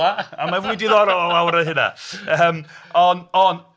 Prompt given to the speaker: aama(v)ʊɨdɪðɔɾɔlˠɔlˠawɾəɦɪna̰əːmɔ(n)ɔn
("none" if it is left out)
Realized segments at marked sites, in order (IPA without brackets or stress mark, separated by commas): v, n